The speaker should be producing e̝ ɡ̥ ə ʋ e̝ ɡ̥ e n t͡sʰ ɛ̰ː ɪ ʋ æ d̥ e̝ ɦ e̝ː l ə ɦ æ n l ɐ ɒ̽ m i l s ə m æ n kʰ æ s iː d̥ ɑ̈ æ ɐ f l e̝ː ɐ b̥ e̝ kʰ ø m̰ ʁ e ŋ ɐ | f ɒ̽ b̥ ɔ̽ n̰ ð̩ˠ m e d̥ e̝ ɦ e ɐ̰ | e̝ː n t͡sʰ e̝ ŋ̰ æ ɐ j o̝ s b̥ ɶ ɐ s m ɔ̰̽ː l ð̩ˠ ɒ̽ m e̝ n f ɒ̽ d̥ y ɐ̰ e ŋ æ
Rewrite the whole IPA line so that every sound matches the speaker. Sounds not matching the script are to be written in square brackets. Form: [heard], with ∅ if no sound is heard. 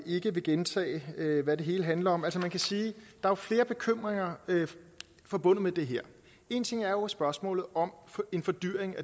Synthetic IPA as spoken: e̝ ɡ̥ ə ʋ e̝ ɡ̥ e n t͡sʰ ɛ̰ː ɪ ʋ æ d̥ e̝ ɦ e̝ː l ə ɦ æ n l ɐ ɒ̽ m [æ] l s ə m æ n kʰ æ s iː d̥ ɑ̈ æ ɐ f l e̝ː ɐ b̥ e̝ kʰ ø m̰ ʁ e ŋ ɐ | f ɒ̽ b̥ ɔ̽ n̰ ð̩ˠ m e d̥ e̝ ɦ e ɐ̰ | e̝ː n t͡sʰ e̝ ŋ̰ æ ɐ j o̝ s b̥ ɶ ɐ s m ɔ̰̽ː l ð̩ˠ ɒ̽ m e̝ n f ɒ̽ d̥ y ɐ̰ e ŋ æ